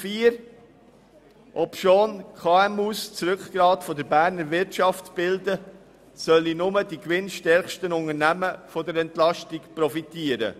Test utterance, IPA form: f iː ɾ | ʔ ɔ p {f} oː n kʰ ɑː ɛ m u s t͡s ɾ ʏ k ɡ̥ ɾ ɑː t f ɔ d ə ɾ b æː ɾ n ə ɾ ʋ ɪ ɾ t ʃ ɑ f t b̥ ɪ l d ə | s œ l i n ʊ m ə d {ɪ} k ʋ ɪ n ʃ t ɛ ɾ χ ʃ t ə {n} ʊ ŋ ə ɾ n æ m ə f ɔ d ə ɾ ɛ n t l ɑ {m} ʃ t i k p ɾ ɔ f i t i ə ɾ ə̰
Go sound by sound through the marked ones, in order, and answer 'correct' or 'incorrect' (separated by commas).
incorrect, incorrect, correct, incorrect